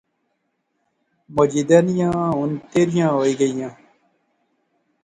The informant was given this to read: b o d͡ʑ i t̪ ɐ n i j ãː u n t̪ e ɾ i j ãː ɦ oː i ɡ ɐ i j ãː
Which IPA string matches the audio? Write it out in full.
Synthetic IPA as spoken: m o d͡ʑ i d̪ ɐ n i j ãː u n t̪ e ɾ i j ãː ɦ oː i ɡ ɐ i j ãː

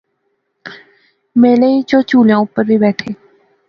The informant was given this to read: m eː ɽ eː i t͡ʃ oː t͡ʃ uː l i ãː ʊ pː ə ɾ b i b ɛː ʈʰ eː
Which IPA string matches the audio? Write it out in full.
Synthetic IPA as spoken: m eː l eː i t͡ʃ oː t͡ʃ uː l j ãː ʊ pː ə ɾ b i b ɛː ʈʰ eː

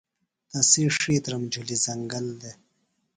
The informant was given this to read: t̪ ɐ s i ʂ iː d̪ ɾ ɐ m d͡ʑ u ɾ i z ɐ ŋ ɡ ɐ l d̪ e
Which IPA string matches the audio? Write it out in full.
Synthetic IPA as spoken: t̪ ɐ s i ʂ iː t̪ ɾ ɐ m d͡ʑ u l i z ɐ ŋ ɡ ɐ l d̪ e

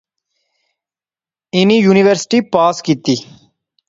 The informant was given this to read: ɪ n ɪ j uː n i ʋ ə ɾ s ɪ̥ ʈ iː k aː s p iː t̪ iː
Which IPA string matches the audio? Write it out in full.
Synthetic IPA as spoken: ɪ n i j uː n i ʋ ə ɾ s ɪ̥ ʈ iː p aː s k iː t̪ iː

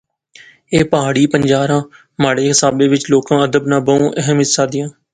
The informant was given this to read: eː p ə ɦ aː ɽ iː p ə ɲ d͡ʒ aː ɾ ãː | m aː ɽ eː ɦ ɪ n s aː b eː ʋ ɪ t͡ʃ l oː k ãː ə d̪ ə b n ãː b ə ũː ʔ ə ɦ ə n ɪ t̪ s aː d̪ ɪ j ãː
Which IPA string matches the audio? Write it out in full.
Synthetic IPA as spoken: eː p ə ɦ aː ɽ iː p ə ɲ d͡ʒ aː ɾ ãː | m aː ɽ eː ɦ ɪ s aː b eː ʋ ɪ t͡ʃ l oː k ãː ə d̪ ə b n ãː b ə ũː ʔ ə ɦ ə m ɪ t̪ s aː d̪ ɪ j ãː

